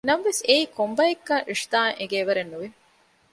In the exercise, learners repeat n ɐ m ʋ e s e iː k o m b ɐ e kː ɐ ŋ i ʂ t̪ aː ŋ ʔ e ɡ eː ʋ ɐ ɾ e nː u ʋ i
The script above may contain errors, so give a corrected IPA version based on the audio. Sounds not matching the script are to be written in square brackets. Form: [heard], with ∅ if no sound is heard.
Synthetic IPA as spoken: n ɐ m ʋ e s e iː k o m b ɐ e kː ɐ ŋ i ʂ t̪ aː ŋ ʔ e ɡ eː ʋ ɐ ɾ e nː u ʋ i